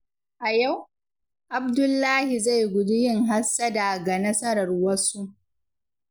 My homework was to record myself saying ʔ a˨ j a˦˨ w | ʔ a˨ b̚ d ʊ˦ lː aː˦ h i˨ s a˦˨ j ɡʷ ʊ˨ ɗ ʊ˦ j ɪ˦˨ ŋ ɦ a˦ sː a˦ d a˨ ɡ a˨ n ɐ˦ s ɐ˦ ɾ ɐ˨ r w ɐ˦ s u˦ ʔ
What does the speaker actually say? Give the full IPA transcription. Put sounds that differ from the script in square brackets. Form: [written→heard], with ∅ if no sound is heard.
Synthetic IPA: ʔ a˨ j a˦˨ w | ʔ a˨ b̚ d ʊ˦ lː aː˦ h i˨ [s→z] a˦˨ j ɡʷ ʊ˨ [ɗ→d] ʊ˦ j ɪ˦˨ ŋ ɦ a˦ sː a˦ d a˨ ɡ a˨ n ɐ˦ s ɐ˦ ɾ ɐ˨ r w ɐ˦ s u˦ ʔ